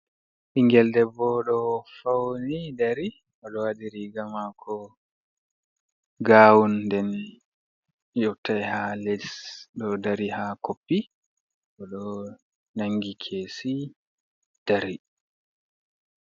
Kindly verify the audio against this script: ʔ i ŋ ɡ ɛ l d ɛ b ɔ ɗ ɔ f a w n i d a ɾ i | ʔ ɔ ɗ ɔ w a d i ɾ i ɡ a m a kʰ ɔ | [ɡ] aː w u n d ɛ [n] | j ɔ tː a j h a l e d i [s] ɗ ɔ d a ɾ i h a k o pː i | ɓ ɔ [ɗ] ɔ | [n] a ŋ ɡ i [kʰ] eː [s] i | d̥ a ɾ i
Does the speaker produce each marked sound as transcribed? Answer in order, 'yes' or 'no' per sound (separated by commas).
yes, yes, yes, yes, yes, yes, yes